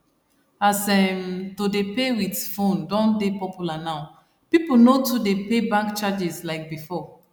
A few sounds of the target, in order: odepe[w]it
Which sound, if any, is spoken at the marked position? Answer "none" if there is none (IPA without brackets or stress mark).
w